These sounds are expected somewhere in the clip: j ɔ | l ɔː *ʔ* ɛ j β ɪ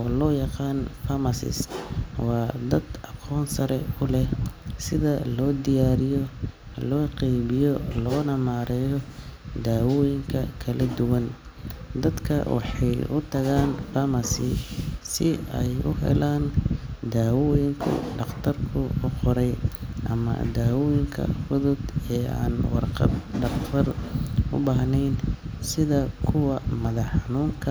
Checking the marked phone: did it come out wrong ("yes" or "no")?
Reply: yes